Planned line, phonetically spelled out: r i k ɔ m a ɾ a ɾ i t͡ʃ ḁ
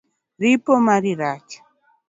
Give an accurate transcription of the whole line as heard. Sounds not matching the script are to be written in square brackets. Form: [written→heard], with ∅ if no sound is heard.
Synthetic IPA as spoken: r i [k→p] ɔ m a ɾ [a→i] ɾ [i→a] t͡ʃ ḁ